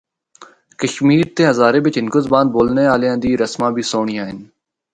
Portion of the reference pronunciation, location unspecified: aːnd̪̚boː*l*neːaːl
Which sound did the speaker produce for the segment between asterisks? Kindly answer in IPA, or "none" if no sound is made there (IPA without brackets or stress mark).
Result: l